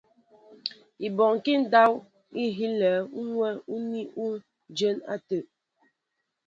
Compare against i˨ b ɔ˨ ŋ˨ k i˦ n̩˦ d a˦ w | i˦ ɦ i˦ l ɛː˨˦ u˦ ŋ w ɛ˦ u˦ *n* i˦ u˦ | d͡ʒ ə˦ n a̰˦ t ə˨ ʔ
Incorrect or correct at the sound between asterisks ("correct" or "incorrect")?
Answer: correct